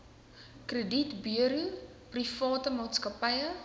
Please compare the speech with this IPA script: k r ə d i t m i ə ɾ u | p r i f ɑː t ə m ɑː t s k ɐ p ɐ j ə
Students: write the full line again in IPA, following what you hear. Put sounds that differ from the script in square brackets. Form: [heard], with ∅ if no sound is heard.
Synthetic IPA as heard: k r ə d i t [b] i ə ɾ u | p r i f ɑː t ə m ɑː t s k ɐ p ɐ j ə